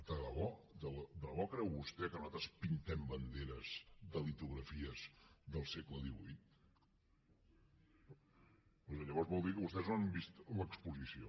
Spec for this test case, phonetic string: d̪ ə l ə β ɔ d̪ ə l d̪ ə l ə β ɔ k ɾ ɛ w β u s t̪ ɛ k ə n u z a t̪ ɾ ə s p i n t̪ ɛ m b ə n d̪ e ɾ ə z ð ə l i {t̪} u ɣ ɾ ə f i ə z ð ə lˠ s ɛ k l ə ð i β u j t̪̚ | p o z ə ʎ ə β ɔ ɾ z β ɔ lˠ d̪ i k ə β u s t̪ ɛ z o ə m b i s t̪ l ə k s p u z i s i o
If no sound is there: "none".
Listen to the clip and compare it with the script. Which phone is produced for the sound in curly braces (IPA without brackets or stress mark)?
t̪